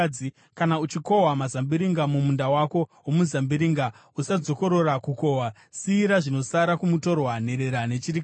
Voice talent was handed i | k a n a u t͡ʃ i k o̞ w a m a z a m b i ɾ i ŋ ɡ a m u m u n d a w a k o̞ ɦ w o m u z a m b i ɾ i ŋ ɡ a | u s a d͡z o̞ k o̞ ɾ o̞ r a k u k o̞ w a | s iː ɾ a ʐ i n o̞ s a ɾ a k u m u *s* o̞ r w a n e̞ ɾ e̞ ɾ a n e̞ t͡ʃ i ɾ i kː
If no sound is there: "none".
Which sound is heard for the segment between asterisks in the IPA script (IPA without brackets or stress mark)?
t